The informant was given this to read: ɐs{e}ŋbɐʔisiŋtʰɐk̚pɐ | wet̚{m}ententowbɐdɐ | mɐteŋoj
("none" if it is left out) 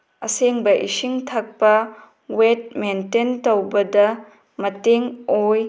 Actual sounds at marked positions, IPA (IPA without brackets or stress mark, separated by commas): e, m